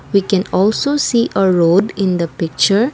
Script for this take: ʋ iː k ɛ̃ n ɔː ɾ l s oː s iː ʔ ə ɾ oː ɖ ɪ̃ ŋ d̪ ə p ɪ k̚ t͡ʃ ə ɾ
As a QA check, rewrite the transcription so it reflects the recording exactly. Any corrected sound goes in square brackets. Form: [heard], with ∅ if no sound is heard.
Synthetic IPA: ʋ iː k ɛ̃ n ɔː [∅] l s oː s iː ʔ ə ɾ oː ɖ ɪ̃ [n] d̪ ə p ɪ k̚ t͡ʃ ə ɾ